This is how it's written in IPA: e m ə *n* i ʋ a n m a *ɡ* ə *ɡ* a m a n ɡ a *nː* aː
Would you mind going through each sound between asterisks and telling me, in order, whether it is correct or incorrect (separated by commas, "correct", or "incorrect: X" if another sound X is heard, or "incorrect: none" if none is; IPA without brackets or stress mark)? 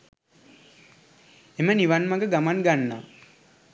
correct, correct, correct, correct